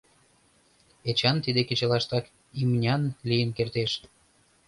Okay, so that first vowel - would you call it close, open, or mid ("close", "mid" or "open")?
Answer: mid